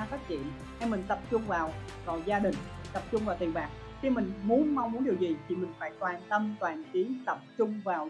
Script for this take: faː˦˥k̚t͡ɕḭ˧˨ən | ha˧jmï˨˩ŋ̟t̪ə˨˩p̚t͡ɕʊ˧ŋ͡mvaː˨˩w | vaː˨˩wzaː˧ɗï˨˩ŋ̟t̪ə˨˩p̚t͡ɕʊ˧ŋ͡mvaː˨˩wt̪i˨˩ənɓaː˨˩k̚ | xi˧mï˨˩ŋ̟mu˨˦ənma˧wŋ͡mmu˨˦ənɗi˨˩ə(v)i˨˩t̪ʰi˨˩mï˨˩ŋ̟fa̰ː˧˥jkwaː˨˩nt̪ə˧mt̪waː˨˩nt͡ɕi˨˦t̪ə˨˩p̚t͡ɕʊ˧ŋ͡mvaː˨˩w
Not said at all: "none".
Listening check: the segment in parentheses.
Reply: z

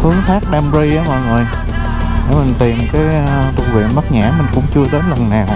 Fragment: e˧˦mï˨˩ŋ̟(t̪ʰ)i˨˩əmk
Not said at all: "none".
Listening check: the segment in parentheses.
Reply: t̪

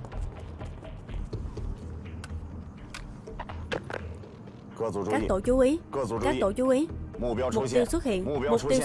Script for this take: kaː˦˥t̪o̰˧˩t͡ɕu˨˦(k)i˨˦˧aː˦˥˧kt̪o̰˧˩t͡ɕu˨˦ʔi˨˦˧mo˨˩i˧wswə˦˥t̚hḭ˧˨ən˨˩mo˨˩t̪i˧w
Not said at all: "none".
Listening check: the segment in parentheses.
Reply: ʔ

